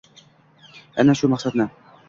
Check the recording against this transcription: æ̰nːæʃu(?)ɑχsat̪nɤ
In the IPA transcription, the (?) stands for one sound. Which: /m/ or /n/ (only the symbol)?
m